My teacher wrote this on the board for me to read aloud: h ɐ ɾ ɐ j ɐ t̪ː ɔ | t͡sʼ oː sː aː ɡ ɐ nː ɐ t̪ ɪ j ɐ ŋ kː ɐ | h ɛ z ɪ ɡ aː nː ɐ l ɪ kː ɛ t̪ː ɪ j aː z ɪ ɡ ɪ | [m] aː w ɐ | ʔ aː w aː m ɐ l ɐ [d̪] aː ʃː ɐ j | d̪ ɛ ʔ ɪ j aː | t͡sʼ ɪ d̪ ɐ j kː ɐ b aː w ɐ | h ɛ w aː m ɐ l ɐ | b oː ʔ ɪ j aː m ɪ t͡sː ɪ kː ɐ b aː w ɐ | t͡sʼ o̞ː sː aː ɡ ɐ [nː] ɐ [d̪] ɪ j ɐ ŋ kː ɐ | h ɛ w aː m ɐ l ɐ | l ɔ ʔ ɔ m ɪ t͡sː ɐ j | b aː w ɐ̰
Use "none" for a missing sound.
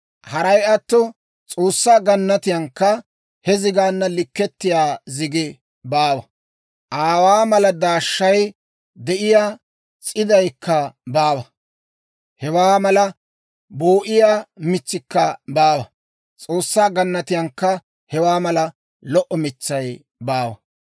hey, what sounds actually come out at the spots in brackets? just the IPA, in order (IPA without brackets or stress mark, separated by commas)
b, d̪, nː, t̪